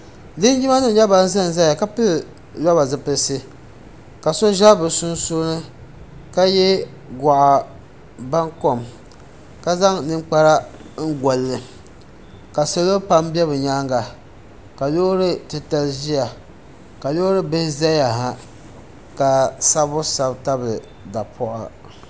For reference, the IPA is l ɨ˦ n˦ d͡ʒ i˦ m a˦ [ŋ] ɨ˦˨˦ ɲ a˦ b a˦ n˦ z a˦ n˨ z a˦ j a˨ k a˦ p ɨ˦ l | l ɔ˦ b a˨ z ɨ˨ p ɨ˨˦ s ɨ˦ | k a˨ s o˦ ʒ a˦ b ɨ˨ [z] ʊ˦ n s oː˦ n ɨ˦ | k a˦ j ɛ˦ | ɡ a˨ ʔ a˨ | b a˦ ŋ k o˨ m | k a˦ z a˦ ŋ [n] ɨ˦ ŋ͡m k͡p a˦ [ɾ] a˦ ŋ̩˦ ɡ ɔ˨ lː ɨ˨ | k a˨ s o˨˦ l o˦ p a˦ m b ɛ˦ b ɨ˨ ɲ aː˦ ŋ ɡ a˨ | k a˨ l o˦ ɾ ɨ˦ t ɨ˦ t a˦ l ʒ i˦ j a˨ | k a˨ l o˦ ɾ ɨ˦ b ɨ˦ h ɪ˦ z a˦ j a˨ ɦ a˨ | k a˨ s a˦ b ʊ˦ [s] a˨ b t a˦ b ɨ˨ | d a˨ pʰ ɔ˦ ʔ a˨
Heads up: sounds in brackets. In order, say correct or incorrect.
incorrect: n, incorrect: s, correct, correct, correct

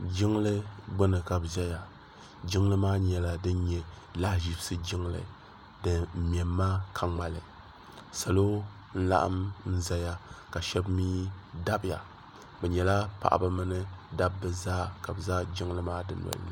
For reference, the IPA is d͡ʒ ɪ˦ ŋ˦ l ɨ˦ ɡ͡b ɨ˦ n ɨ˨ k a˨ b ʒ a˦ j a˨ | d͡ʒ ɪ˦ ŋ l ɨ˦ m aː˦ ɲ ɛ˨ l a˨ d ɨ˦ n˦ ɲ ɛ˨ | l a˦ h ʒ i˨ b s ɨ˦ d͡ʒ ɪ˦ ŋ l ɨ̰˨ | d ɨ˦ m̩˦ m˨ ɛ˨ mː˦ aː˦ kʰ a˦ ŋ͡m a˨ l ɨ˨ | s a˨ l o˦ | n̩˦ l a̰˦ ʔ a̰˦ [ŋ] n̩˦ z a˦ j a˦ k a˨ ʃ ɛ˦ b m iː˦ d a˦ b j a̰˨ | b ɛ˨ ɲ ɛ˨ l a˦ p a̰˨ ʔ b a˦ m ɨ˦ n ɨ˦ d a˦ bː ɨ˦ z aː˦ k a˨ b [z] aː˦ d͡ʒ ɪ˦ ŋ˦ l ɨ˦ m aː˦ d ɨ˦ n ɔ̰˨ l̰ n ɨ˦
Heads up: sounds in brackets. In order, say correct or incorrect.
incorrect: m, correct

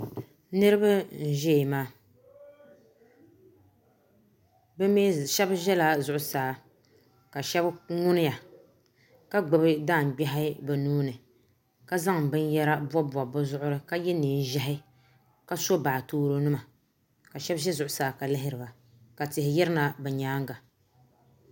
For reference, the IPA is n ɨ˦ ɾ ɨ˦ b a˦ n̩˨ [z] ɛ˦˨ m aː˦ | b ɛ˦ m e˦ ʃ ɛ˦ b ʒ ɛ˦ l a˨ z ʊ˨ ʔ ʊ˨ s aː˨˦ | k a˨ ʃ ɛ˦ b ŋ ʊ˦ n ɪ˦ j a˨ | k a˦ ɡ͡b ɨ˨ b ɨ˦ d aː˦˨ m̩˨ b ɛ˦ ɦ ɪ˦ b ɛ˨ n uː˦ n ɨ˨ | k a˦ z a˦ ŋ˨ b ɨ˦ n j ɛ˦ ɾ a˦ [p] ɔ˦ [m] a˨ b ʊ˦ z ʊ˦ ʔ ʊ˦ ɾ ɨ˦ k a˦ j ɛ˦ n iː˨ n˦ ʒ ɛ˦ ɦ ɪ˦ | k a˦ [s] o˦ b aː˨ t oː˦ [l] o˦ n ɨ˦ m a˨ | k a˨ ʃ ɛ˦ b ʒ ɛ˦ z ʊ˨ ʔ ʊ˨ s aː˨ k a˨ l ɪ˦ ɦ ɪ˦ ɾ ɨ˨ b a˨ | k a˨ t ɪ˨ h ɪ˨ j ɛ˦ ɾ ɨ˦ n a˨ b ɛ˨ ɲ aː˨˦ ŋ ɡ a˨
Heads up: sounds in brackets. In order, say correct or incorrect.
incorrect: ʒ, incorrect: b, incorrect: b, correct, incorrect: ɾ

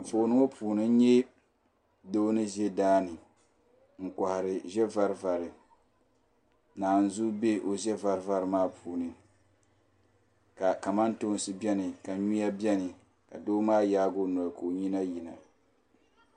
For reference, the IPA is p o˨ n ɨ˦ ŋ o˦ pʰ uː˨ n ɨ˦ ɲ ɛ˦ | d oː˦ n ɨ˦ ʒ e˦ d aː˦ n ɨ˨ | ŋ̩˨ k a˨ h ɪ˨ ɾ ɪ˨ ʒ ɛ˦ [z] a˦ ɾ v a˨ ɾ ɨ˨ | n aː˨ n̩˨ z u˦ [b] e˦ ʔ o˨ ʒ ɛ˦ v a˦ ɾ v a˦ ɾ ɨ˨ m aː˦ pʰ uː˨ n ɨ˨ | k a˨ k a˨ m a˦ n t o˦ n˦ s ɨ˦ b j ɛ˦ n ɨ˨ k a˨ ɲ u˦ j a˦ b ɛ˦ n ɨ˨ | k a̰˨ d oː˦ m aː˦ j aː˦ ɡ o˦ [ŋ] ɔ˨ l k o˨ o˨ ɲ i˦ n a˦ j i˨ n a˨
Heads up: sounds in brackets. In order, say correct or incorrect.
incorrect: v, correct, incorrect: n

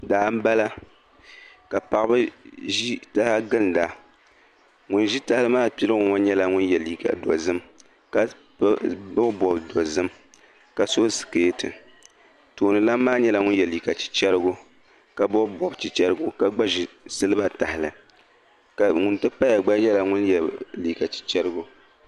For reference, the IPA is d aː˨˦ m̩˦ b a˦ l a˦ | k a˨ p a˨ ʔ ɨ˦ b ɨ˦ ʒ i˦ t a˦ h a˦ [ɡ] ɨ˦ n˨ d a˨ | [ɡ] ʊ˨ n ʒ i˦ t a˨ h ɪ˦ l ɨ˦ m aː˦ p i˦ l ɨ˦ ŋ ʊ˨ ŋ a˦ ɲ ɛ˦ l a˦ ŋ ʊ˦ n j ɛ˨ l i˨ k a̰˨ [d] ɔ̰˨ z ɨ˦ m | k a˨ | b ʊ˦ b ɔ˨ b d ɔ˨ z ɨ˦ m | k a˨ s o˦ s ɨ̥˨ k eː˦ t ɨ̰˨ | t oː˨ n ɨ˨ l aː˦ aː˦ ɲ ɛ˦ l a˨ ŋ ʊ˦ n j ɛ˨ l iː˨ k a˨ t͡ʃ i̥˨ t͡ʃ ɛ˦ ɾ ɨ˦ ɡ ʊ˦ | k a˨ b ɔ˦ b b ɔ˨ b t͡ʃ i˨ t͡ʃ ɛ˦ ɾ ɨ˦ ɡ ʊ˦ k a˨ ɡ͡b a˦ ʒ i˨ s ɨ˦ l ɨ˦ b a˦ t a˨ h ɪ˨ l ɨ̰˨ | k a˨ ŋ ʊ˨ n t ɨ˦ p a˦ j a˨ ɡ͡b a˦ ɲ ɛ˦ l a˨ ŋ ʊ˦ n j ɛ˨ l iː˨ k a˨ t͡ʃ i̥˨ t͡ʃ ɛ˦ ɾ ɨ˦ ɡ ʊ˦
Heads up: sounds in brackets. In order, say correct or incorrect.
correct, incorrect: ŋ, correct

